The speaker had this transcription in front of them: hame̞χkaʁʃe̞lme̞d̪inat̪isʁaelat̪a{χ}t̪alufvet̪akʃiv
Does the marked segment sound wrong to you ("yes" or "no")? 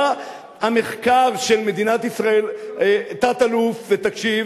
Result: yes